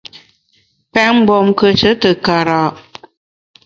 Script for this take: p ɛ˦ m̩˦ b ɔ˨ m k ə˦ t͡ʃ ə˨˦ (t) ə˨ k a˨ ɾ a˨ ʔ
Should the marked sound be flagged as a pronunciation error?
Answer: no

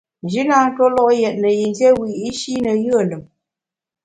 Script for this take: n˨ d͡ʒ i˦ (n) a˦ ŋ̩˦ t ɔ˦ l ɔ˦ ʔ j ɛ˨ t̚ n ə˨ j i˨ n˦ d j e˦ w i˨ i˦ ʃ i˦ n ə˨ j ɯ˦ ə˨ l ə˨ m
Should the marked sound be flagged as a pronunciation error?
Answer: no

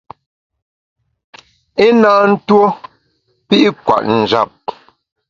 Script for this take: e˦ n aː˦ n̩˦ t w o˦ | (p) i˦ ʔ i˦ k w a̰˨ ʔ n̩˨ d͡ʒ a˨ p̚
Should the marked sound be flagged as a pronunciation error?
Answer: no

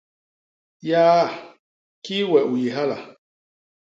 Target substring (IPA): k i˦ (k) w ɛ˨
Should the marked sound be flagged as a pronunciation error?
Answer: yes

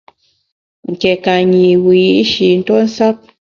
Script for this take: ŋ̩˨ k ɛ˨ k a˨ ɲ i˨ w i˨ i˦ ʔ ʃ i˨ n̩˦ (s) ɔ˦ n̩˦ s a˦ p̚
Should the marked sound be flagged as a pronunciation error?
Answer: yes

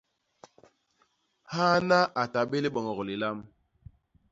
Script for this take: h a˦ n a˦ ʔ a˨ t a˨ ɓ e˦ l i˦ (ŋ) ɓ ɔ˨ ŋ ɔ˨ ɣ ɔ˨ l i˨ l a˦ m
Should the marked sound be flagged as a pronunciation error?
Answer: yes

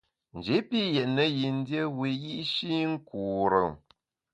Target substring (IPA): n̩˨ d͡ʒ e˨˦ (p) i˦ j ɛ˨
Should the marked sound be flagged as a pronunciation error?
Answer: no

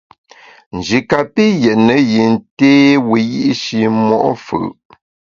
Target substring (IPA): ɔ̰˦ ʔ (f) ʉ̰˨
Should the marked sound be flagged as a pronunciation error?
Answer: no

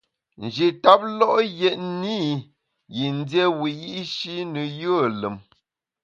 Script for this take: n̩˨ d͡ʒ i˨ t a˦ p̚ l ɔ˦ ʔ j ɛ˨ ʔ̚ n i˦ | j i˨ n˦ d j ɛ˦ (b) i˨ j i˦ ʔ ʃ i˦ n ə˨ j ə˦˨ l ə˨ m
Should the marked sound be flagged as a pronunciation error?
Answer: yes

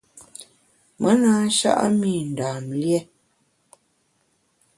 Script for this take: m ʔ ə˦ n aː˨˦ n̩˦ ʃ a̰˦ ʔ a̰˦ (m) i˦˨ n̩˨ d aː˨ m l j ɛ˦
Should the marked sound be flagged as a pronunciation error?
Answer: no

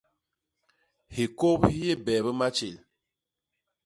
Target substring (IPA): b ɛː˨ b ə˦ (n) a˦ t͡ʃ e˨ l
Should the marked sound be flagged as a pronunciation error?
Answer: yes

